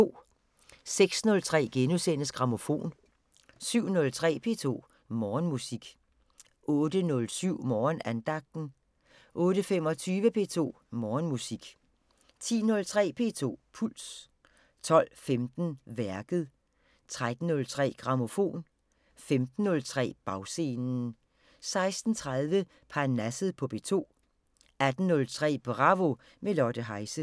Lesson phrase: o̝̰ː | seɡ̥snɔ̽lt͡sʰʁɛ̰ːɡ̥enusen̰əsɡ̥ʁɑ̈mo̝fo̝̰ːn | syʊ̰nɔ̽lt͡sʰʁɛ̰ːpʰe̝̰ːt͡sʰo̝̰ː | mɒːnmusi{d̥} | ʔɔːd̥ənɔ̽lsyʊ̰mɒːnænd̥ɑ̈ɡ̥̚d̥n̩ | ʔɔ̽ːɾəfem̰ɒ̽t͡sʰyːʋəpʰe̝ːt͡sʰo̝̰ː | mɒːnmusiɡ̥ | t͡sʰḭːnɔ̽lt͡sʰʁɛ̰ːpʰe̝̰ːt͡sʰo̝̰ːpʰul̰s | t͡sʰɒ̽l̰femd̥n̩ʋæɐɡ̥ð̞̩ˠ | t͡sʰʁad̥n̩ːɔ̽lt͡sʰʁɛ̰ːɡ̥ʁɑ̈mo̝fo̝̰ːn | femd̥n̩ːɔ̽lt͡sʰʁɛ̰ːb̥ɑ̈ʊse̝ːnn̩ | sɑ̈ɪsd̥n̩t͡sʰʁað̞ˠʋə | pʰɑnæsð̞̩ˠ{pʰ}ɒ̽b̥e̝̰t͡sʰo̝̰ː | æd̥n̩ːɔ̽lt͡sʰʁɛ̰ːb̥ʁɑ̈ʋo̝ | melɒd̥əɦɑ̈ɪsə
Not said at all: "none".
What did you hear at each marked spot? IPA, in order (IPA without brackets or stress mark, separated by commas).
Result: ɡ̥, pʰ